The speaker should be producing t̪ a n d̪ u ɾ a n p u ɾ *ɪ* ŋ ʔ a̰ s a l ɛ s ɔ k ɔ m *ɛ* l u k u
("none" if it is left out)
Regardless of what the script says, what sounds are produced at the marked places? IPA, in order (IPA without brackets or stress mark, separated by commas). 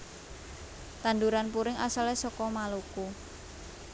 ɪ, a